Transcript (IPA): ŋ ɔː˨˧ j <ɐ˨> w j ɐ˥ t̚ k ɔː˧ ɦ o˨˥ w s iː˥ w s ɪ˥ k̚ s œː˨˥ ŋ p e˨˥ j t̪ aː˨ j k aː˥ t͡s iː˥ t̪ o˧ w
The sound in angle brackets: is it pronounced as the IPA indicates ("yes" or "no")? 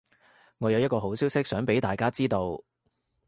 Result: yes